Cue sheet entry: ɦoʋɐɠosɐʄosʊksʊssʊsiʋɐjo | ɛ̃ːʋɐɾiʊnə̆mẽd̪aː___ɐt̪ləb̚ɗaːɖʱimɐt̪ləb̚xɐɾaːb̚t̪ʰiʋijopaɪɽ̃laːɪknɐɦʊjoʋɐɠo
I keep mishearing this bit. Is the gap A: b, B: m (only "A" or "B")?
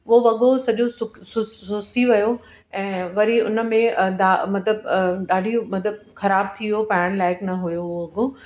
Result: B